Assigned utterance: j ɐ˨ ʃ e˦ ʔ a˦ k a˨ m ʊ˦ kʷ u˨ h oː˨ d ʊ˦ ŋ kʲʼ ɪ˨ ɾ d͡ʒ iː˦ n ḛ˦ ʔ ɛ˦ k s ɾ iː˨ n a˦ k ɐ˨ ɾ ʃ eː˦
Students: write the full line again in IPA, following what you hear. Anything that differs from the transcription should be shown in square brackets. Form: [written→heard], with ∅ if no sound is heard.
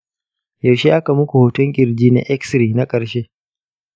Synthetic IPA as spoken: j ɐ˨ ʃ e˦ ʔ a˦ k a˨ m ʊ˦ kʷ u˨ h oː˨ [d→t] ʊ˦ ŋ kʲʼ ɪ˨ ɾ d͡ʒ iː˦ n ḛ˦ ʔ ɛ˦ k s ɾ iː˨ n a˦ [k→kʼ] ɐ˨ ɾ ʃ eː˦

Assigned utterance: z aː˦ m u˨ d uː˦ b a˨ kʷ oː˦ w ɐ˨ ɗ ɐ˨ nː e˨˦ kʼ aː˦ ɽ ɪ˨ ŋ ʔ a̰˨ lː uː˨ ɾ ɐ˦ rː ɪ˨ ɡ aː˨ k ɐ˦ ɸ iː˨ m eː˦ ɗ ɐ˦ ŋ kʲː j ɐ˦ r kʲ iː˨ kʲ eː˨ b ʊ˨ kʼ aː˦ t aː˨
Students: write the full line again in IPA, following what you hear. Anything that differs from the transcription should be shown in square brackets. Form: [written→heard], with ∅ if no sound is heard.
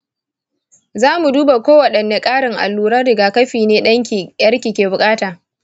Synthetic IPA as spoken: z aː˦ m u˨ d uː˦ b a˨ kʷ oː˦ w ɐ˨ ɗ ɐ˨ nː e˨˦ kʼ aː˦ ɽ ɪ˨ ŋ ʔ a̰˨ lː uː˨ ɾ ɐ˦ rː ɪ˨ ɡ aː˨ k ɐ˦ ɸ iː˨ [m→n] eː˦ ɗ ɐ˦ ŋ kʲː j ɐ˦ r kʲ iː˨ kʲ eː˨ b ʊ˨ kʼ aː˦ t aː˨

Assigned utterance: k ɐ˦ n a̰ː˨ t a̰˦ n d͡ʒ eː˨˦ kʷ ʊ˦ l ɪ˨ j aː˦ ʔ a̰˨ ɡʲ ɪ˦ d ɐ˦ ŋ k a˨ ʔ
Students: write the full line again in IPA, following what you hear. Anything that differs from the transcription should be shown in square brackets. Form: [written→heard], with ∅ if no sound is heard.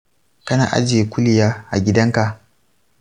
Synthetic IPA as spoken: k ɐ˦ n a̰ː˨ [t→ʔ] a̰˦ [n→∅] d͡ʒ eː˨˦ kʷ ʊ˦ l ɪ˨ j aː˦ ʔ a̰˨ ɡʲ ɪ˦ d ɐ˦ ŋ k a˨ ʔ

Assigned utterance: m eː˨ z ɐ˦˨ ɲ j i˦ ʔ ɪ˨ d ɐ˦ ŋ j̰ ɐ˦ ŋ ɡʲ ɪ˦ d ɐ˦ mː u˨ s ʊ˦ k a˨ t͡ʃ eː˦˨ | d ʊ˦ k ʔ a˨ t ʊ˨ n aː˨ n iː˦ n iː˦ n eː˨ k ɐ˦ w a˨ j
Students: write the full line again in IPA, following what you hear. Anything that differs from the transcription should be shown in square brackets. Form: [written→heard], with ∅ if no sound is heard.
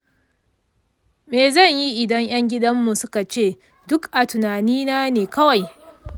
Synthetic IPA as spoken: m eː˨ z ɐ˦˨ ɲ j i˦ ʔ ɪ˨ d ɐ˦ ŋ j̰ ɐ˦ ŋ ɡʲ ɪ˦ d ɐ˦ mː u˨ s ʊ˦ k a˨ t͡ʃ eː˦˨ | d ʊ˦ k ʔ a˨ t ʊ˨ n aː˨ n iː˦ n [iː˦→aː˦] n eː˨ k ɐ˦ w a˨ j

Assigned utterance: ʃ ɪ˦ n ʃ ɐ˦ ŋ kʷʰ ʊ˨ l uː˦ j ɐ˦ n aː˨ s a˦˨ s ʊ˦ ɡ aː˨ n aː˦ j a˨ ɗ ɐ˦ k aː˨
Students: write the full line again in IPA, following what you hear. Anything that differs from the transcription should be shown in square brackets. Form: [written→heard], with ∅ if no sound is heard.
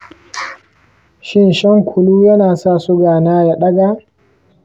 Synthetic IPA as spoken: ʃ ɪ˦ n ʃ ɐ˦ ŋ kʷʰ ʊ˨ l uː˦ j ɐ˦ n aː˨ s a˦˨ s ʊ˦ ɡ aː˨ n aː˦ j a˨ ɗ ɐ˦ [k→ɡ] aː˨

